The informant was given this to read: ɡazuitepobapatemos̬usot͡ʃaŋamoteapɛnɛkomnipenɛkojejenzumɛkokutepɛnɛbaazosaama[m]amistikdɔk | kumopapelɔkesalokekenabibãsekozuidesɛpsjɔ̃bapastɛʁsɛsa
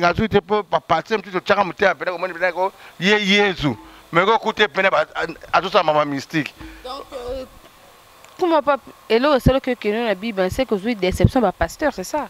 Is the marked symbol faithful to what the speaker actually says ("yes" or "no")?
yes